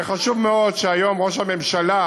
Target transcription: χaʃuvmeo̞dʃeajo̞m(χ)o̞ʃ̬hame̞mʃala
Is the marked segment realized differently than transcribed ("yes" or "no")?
yes